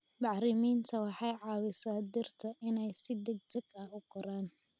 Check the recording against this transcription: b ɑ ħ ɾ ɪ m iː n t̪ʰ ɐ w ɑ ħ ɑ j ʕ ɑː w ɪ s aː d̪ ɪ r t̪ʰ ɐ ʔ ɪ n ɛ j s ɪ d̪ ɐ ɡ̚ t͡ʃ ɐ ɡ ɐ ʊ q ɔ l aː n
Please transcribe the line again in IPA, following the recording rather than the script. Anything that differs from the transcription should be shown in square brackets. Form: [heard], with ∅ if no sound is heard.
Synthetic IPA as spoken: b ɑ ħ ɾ ɪ m iː n t̪ʰ ɐ w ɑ ħ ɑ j ʕ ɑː w ɪ s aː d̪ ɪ r t̪ʰ ɐ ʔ ɪ n ɛ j s ɪ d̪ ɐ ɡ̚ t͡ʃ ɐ ɡ ɐ ʊ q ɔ [ɾ] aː n